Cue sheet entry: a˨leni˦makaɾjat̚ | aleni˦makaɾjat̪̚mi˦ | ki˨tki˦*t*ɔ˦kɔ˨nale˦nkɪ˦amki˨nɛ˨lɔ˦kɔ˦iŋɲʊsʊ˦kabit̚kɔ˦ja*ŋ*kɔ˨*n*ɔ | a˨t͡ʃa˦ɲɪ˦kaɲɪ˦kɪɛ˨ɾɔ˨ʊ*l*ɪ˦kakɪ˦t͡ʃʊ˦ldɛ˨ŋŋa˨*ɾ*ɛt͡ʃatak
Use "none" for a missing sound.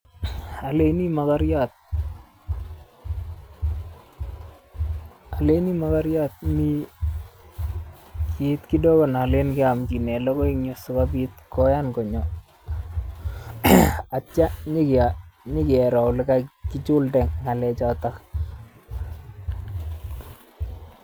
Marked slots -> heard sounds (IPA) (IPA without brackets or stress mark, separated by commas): d, n, ɲ, l, l